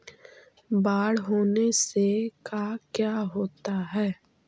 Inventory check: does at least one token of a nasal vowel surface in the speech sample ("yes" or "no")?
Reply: no